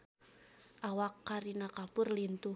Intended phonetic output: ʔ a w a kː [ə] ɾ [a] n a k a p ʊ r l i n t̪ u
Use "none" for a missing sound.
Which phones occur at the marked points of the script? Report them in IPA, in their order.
a, i

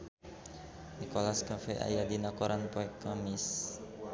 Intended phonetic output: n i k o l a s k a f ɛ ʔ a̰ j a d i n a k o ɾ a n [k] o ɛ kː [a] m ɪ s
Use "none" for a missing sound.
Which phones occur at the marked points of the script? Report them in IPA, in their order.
p, a

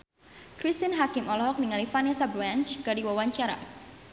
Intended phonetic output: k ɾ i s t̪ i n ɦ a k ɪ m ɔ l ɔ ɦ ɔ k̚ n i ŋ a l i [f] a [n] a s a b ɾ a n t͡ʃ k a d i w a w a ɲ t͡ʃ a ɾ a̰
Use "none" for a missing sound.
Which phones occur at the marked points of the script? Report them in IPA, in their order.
f, n

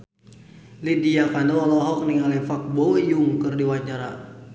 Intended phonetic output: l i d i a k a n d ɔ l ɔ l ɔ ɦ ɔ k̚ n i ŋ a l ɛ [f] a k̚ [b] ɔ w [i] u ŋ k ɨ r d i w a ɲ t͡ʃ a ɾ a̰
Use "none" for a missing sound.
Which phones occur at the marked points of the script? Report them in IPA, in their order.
f, b, j

